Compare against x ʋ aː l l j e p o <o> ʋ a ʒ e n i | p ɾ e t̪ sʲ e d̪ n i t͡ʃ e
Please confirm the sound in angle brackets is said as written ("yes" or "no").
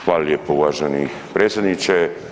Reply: no